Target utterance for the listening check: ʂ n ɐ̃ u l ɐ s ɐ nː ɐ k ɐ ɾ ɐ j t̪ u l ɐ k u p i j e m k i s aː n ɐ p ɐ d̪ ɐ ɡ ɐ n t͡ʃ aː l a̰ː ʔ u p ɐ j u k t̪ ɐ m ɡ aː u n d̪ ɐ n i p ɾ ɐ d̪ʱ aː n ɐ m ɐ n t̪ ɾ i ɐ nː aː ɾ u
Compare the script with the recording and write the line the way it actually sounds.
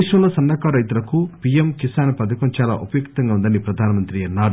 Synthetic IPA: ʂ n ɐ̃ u l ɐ s ɐ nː ɐ k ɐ ɾ ɐ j t̪ u l ɐ k u p i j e m k i s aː n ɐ p ɐ d̪ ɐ k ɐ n t͡ʃ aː l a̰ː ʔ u p ɐ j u k t̪ ɐ ŋ ɡ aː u n d̪ ɐ n i p ɾ ɐ d̪ʱ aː n ɐ m ɐ n t̪ ɾ i ɐ nː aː ɾ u